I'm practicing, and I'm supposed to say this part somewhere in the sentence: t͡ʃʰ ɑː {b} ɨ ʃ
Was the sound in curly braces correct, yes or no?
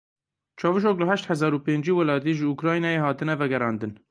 no